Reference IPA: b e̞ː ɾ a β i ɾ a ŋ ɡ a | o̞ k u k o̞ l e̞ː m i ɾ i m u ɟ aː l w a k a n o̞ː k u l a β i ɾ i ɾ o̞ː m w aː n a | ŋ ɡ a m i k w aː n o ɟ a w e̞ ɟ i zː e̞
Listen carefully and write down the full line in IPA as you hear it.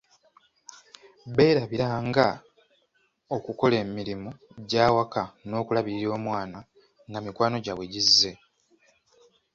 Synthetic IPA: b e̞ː ɾ a β i ɾ a ŋ ɡ a | o̞ k u k o̞ l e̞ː m i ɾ i m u ɟ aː w a k a n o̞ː k u l a β i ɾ i ɾ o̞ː m w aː n a | ŋ ɡ a m i k w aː n o ɟ a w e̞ ɟ i zː e̞